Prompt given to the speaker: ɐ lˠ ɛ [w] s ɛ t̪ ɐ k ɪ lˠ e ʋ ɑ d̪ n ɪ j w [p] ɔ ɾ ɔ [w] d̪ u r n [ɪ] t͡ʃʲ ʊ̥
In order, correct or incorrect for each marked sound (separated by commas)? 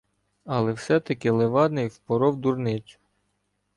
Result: correct, correct, correct, correct